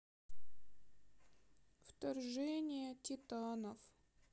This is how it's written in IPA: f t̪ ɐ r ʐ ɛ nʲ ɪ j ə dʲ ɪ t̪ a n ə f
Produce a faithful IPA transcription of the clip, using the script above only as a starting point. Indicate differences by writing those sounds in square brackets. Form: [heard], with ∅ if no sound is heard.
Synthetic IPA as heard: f t̪ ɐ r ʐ ɛ nʲ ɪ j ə [tʲ] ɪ t̪ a n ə f

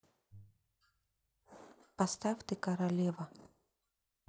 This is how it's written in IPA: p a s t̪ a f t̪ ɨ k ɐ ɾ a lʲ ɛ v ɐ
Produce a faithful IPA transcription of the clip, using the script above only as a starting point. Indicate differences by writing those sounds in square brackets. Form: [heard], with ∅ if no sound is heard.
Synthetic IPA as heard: p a s t̪ a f t̪ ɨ k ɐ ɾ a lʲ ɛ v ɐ

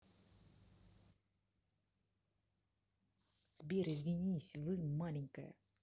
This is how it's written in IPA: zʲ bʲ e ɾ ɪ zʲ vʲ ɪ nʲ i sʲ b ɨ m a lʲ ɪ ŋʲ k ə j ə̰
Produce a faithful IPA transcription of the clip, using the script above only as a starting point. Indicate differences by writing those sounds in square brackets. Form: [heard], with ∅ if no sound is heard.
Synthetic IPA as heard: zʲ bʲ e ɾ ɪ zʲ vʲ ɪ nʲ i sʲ [v] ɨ m a lʲ ɪ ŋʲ k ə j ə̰

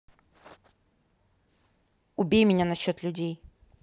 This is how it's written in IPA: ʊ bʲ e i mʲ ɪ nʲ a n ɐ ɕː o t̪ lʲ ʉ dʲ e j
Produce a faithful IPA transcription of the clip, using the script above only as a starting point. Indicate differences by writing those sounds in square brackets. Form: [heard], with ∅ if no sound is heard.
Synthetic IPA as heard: ʊ bʲ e [j] mʲ ɪ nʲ a n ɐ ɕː o t̪ lʲ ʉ dʲ e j

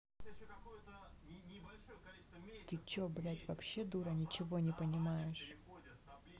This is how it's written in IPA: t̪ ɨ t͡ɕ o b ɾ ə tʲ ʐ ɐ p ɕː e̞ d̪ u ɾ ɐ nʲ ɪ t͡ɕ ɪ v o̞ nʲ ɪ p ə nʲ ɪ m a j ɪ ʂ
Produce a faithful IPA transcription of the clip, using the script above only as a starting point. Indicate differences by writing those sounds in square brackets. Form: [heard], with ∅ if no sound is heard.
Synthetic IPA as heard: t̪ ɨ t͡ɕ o b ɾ [a] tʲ [v] ɐ p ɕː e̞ d̪ u ɾ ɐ nʲ ɪ t͡ɕ ɪ v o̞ nʲ ɪ p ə nʲ ɪ m a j ɪ ʂ

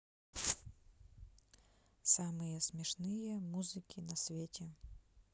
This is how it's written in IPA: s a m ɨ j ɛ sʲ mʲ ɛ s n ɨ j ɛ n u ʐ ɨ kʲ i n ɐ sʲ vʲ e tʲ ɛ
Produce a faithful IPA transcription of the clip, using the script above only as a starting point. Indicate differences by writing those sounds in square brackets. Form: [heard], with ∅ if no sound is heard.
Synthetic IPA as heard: s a m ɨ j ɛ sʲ mʲ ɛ [ʂ] n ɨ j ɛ [m] u [z] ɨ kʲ i n ɐ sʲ vʲ e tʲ ɛ

